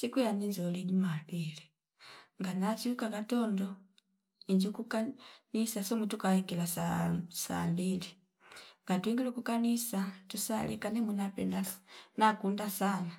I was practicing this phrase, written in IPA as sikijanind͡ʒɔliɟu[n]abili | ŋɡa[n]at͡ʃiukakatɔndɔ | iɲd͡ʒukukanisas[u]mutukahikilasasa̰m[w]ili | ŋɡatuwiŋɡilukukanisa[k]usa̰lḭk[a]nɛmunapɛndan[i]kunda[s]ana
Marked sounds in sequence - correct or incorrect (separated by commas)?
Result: incorrect, correct, incorrect, incorrect, incorrect, correct, incorrect, correct